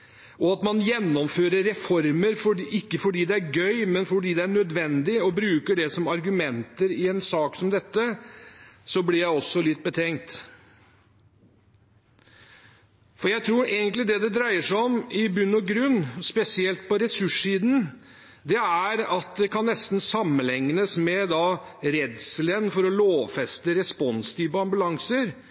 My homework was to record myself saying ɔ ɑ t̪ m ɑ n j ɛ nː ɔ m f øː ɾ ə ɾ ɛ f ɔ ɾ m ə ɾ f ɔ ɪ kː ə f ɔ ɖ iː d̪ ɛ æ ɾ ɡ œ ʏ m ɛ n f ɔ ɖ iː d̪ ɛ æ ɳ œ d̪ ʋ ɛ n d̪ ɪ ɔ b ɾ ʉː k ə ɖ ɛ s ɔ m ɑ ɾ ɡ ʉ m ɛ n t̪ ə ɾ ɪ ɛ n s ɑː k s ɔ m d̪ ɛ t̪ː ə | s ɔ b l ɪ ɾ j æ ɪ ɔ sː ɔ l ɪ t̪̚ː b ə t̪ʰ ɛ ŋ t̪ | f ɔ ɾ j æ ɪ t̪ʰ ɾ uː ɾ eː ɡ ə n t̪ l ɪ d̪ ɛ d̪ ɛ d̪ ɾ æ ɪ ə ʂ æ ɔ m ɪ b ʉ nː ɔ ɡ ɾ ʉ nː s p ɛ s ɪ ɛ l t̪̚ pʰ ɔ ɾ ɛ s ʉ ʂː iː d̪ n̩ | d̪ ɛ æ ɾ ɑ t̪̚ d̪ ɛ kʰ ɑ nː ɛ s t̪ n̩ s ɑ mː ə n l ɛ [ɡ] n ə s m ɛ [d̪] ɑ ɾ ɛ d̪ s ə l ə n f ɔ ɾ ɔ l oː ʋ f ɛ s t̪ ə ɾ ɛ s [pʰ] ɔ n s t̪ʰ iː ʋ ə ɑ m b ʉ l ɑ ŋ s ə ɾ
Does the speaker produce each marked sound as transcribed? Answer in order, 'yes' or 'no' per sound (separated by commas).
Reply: no, yes, no